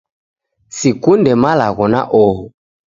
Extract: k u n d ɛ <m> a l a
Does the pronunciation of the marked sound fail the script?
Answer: no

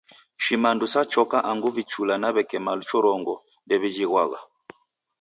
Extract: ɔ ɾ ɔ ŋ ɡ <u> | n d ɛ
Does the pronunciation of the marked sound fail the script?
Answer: yes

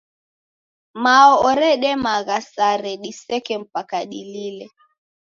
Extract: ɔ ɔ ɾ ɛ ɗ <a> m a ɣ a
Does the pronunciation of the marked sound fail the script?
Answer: yes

